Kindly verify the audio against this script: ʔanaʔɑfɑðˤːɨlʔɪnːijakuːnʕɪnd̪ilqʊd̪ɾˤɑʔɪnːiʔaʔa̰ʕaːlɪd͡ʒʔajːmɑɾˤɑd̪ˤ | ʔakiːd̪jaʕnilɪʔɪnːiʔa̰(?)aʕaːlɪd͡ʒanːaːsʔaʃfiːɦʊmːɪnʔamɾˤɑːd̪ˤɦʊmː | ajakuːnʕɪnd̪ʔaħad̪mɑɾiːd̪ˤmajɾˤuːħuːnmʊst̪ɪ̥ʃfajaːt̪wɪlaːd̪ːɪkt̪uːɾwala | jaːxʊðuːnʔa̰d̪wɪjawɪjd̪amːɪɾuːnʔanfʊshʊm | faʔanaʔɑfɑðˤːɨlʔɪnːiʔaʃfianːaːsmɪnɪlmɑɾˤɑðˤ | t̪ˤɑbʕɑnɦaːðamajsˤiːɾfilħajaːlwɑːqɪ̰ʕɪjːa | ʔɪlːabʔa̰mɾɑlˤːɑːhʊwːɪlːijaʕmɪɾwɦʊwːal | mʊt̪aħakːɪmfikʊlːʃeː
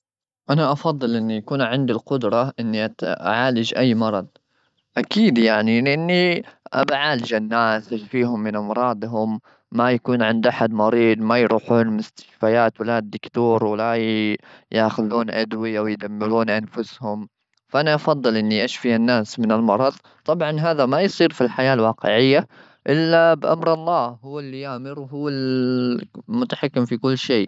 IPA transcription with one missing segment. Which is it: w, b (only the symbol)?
b